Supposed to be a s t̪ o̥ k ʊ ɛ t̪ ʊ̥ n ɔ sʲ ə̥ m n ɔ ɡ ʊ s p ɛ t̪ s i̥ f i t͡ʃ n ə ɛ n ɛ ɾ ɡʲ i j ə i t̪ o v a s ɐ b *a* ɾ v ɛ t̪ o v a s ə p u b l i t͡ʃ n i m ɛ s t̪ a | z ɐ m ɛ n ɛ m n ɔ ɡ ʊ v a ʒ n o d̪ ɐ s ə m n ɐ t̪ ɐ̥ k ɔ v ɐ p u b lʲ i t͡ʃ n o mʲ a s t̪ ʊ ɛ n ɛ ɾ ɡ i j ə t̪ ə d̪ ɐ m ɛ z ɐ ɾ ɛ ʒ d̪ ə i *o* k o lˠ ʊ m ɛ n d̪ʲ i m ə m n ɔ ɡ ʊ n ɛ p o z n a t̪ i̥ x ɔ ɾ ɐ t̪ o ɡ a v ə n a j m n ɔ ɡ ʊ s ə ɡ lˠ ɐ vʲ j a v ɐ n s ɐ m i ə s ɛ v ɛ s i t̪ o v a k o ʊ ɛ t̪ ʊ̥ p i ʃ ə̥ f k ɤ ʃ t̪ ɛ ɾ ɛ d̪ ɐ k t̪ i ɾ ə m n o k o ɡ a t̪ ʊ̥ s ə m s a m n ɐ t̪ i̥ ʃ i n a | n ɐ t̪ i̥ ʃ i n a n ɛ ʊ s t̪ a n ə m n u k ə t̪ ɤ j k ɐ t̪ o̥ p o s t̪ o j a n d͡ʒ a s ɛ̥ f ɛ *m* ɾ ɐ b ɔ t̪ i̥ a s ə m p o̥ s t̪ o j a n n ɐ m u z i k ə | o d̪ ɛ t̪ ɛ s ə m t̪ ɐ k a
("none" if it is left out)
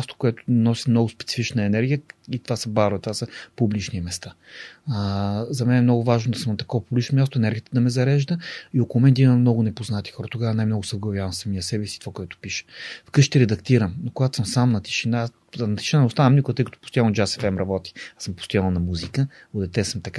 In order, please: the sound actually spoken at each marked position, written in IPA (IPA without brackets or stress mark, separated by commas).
a, o, m